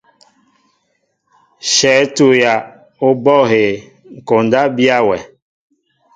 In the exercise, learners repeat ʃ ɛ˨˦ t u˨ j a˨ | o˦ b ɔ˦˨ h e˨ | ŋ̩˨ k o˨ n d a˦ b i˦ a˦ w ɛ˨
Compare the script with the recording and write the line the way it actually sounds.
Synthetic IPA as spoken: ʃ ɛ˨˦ t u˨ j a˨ | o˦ b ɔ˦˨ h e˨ | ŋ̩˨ k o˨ n d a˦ b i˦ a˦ w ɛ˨

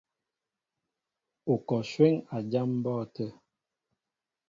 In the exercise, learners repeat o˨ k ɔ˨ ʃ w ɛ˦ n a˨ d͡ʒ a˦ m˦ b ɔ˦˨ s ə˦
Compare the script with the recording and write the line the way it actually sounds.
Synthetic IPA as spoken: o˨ k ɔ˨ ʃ w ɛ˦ ŋ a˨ d͡ʒ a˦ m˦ b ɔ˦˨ t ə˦

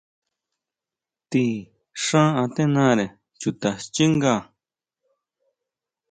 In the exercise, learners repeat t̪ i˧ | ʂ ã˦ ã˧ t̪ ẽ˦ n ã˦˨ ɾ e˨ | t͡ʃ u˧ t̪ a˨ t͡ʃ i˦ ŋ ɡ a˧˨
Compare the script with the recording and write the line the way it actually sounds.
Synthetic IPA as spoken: t̪ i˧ | ʂ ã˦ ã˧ t̪ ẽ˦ n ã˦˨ ɾ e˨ | t͡ʃ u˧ t̪ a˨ t͡ʃ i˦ ŋ ɡ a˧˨

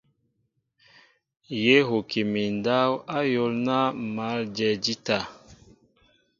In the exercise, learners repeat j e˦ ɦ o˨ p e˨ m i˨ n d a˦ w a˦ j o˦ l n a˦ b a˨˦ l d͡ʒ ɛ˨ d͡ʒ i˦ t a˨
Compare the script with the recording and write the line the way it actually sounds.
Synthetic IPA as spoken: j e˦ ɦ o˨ k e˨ m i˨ n d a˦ w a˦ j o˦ l n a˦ m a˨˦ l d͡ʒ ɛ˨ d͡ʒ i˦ t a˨

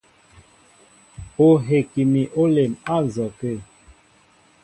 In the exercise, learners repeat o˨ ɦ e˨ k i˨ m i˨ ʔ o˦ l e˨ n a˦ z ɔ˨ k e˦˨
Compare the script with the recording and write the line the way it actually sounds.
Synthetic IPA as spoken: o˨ ɦ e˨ k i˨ m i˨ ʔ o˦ l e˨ m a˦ z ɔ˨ k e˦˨

